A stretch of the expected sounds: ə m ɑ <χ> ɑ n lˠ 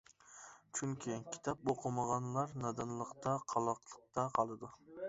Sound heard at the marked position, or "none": ʁ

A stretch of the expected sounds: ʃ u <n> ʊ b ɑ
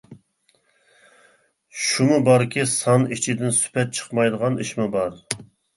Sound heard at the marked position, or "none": m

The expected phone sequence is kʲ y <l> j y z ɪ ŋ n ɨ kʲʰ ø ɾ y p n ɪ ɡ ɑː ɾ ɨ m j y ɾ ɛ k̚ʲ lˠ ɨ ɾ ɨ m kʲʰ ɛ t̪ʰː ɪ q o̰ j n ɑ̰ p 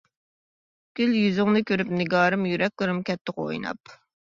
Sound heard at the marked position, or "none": l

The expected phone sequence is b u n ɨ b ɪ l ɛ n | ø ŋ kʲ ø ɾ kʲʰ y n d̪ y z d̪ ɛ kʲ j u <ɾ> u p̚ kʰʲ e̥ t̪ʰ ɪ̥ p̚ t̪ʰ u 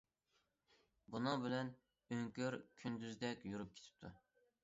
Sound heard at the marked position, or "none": ɾ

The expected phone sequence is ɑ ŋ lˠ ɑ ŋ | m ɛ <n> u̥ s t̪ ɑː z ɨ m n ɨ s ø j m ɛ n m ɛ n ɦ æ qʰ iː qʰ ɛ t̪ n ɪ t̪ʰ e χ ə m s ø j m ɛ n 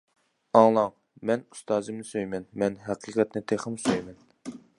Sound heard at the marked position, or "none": n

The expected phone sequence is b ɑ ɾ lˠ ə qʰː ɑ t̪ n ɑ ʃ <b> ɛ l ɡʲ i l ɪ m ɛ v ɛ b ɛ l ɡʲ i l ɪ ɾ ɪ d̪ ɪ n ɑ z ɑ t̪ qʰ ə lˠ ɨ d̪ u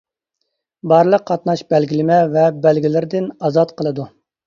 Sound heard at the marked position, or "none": b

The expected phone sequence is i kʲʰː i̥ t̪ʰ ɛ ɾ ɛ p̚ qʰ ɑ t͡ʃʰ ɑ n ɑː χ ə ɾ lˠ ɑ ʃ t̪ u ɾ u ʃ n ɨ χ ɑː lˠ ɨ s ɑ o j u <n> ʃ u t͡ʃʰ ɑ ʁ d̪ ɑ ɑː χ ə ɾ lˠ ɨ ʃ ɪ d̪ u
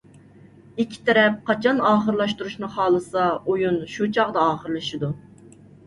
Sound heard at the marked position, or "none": n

